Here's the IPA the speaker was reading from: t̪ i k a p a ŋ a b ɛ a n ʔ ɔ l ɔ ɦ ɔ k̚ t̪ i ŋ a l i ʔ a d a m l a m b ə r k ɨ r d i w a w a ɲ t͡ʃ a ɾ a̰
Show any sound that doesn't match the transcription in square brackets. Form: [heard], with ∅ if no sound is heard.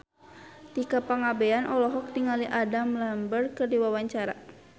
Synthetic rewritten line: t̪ i k a p a ŋ a b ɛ a n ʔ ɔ l ɔ ɦ ɔ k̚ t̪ i ŋ a l i ʔ a d a m l a m b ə r k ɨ r d i w a w a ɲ t͡ʃ a ɾ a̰